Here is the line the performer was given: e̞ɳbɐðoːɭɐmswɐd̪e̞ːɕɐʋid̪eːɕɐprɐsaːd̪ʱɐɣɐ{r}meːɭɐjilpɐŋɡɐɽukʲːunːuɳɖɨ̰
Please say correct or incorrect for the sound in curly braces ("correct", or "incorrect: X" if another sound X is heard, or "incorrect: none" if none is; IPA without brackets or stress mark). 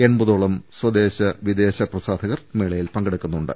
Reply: correct